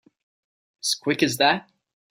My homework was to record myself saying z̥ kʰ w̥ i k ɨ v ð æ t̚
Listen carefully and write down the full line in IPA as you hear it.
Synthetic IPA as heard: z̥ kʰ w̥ ɪ k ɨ z ð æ t̚